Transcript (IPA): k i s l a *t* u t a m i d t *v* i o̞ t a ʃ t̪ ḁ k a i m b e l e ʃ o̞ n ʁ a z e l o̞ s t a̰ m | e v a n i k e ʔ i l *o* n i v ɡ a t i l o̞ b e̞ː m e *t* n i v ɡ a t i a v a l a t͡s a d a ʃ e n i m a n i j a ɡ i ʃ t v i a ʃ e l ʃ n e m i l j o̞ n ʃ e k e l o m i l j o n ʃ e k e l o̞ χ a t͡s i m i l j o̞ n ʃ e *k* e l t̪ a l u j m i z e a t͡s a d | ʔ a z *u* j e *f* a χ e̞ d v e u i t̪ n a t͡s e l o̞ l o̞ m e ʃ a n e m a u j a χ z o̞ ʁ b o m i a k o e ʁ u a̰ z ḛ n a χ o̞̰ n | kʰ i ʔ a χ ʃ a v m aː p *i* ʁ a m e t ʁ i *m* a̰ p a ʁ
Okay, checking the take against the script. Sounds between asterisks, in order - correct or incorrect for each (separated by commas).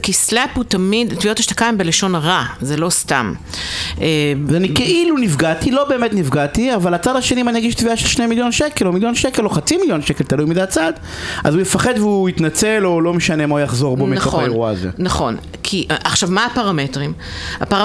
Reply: incorrect, correct, incorrect, correct, correct, correct, correct, incorrect, correct